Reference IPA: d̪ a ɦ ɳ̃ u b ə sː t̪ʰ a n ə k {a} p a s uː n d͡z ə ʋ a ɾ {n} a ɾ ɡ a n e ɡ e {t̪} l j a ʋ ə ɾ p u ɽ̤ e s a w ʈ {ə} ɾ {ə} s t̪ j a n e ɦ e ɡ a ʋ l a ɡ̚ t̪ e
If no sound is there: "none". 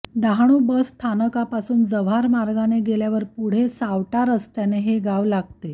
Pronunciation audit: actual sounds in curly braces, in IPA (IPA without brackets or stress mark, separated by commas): a, m, none, a, ə